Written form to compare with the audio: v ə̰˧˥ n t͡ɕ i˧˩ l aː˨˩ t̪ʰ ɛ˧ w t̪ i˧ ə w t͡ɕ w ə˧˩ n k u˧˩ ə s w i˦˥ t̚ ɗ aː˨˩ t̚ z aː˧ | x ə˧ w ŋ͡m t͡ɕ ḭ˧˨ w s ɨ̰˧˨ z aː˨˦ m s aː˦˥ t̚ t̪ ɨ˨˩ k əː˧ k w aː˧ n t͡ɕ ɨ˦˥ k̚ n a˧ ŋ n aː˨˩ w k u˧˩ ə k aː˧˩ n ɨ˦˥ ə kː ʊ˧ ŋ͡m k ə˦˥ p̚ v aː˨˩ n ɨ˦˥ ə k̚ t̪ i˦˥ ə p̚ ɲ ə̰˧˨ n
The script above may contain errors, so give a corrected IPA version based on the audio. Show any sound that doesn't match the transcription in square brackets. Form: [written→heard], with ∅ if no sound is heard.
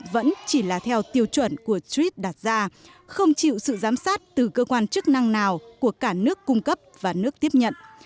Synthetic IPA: v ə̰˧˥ n t͡ɕ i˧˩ l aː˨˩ t̪ʰ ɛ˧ w t̪ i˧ ə w t͡ɕ w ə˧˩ n k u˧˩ ə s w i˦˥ t̚ ɗ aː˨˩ t̚ z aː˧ | x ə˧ w ŋ͡m t͡ɕ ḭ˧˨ w s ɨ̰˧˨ z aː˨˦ m s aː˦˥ t̚ t̪ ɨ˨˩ k əː˧ k w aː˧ n t͡ɕ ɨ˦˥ k̚ n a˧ ŋ n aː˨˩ w k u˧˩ ə k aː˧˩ n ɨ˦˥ ə kː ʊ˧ ŋ͡m k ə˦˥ p̚ v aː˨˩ n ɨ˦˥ ə k̚ t̪ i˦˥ ə p̚ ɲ ə̰˧˨ n